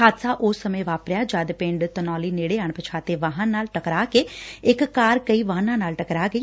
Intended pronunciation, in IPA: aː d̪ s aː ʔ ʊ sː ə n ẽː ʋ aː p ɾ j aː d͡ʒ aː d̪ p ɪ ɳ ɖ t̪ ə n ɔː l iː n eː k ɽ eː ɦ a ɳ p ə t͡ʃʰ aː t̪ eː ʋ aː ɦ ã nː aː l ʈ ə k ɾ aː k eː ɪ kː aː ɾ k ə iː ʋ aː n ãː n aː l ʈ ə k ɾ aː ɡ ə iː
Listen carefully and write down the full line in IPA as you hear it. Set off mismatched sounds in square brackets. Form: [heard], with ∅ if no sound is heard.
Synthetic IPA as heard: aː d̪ s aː ʔ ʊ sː ə [m] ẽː ʋ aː p ɾ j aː d͡ʒ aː d̪ p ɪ ɳ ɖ t̪ ə n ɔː l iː n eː [∅] ɽ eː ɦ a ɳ p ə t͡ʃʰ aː t̪ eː ʋ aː ɦ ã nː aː l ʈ ə k ɾ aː k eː ɪ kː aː ɾ k ə iː ʋ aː n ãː n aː l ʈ ə k ɾ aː ɡ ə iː